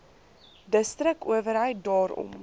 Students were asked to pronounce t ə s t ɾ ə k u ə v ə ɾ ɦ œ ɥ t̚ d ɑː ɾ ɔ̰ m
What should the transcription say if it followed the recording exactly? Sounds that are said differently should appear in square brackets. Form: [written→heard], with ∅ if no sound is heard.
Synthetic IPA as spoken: [t→d] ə s t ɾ ə k u ə v ə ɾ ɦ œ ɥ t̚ d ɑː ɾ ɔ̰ m